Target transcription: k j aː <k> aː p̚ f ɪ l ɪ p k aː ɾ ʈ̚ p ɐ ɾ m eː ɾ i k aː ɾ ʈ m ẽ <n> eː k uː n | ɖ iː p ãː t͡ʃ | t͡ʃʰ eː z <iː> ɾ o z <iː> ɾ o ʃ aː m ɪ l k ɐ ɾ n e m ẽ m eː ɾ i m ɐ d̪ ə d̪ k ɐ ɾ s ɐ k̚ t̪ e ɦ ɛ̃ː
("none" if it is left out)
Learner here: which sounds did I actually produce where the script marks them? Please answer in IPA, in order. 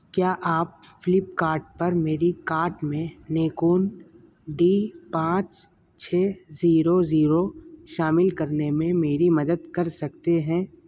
ʔ, n, iː, iː

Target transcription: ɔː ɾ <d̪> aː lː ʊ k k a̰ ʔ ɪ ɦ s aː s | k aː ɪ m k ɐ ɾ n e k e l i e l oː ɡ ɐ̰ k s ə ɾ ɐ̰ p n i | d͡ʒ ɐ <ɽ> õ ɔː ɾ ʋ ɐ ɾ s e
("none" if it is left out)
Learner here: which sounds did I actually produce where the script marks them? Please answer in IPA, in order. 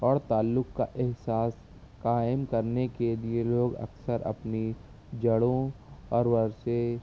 t̪, ɽ

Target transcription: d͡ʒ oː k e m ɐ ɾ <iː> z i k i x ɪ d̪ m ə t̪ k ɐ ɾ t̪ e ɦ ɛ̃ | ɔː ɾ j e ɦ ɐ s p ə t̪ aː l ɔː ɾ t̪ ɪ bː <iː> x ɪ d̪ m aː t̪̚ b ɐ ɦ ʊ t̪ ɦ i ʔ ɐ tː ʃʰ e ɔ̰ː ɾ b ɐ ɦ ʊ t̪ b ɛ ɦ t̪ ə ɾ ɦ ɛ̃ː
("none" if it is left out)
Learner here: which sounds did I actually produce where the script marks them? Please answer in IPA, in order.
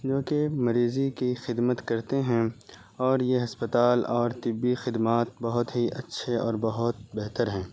iː, i

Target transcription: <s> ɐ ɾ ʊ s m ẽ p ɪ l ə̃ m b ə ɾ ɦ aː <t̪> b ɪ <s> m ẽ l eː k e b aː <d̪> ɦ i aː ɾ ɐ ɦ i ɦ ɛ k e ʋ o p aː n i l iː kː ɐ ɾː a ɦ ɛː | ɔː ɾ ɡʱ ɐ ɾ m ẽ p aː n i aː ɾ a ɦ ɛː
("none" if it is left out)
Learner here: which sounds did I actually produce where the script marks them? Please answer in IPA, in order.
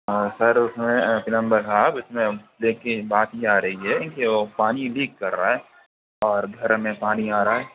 s, none, s, t̪

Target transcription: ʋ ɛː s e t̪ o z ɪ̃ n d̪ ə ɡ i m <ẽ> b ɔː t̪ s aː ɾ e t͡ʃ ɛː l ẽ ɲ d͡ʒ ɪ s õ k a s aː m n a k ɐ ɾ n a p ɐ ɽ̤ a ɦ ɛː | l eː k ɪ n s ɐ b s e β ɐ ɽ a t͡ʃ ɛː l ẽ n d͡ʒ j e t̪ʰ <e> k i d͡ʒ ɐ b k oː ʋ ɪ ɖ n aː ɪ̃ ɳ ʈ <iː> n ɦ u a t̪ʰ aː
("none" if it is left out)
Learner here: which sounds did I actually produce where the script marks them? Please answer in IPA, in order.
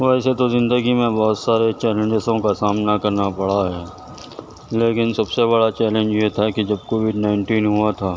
ẽ, a, iː

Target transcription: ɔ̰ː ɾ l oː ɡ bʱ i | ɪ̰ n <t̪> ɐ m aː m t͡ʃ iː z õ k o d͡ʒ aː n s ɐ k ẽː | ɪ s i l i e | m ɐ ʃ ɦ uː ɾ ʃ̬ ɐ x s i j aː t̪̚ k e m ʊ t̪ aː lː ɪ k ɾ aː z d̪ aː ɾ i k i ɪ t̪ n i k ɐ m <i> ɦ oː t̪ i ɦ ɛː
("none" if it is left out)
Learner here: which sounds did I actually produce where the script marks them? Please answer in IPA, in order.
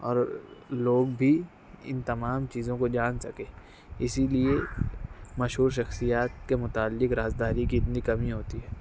t̪, i

